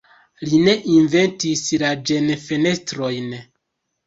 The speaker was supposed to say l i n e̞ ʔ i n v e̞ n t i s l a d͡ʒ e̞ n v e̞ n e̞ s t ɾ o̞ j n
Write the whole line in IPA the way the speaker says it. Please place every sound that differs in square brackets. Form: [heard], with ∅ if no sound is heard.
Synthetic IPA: l i n e̞ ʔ i n v e̞ n t i s l a d͡ʒ e̞ n [f] e̞ n e̞ s t ɾ o̞ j n